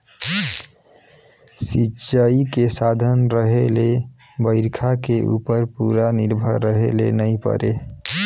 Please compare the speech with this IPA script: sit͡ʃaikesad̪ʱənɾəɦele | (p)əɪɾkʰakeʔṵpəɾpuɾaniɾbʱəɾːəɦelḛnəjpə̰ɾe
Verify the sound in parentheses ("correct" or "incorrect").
incorrect